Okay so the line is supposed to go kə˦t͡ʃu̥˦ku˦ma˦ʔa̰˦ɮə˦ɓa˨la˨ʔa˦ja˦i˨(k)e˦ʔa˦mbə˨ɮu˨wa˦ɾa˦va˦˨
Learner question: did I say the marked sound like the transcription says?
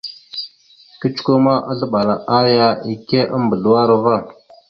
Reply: yes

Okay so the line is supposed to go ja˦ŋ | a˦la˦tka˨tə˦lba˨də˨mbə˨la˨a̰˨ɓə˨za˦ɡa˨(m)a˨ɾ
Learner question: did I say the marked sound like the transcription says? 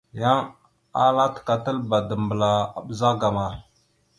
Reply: yes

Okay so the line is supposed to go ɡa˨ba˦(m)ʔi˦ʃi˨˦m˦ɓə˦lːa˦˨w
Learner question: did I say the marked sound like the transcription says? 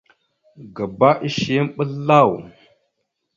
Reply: no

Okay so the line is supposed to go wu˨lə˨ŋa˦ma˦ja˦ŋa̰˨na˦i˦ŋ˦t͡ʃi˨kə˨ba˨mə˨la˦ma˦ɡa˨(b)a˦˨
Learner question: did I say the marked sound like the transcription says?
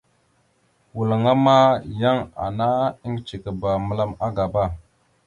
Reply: yes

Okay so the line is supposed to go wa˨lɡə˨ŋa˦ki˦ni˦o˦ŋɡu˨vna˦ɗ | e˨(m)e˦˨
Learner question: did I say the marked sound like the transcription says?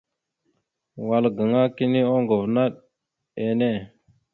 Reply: no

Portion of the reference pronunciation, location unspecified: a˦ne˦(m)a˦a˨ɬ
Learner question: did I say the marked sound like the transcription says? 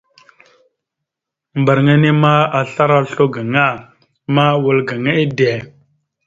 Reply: yes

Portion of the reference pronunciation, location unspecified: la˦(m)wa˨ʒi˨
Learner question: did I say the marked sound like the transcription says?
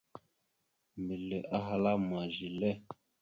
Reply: yes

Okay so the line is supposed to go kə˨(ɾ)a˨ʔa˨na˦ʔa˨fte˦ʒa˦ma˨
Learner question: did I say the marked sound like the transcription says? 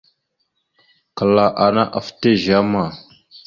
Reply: no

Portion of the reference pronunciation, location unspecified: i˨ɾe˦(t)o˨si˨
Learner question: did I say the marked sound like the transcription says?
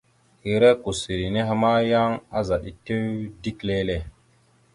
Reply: no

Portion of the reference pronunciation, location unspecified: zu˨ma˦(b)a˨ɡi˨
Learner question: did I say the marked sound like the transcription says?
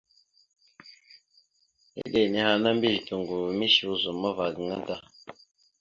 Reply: no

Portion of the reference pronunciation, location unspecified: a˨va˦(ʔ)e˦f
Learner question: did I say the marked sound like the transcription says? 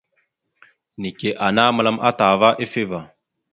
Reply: yes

